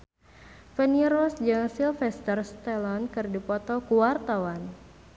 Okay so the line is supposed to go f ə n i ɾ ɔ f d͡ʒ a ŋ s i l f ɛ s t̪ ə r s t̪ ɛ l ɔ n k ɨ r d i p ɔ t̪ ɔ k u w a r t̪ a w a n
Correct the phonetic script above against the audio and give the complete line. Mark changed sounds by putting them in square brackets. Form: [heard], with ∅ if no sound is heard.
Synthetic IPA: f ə n i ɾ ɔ [s] d͡ʒ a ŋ s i l f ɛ s t̪ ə r s t̪ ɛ l ɔ n k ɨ r d i p ɔ t̪ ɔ k u w a r t̪ a w a n